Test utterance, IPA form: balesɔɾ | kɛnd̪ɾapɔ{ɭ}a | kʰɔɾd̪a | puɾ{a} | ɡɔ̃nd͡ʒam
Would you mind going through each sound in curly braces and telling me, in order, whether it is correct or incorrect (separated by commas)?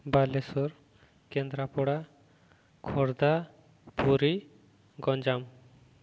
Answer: incorrect, incorrect